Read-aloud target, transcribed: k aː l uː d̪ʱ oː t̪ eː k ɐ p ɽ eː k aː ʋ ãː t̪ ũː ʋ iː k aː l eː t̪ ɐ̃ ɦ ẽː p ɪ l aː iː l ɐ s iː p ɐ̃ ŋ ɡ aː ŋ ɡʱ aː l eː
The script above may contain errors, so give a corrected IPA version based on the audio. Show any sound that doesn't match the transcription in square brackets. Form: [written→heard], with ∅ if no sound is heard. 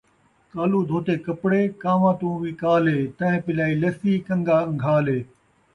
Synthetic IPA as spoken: k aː l uː d̪ʱ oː t̪ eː k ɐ p ɽ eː k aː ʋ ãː t̪ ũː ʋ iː k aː l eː t̪ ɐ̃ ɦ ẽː p ɪ l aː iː l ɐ s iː [p→k] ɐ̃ ŋ ɡ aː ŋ ɡʱ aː l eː